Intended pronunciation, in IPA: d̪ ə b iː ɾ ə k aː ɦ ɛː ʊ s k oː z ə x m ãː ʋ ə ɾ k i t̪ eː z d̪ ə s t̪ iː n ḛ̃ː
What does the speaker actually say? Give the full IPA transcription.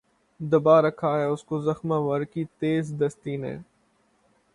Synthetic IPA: d̪ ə b aː ɾ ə kʰ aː ɦ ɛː ʊ s k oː z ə x m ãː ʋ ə ɾ k i t̪ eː z d̪ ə s t̪ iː n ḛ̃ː